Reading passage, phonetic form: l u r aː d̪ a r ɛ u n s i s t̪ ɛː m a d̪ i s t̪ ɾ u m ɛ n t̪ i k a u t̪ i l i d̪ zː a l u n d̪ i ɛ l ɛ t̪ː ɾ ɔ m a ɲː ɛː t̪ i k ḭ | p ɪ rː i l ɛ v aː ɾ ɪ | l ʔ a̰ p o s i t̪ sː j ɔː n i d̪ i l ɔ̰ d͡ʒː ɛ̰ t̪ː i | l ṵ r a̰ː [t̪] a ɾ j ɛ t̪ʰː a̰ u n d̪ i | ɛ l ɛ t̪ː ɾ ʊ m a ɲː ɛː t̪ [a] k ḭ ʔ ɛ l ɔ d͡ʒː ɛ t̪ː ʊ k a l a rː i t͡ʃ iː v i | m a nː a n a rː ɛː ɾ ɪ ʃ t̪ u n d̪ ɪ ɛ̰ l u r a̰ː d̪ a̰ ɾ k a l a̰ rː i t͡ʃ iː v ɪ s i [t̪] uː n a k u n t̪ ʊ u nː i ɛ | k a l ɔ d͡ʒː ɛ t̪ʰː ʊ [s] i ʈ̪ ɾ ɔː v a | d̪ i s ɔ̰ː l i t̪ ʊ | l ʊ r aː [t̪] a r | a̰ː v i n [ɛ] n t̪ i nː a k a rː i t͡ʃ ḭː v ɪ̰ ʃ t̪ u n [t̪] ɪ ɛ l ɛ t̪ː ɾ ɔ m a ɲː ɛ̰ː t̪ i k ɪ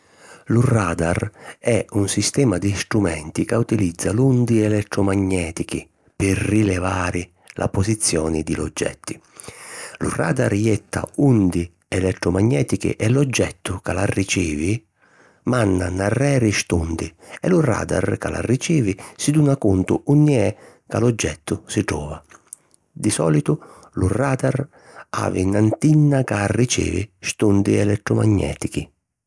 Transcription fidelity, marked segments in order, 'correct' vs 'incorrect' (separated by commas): incorrect, incorrect, incorrect, correct, incorrect, incorrect, incorrect